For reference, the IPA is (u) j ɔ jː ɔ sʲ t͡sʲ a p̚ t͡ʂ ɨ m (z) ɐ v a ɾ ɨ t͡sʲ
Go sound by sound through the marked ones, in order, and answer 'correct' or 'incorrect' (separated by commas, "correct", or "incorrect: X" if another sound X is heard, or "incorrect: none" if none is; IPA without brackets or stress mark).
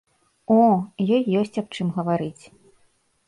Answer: incorrect: ɔ, incorrect: ɣ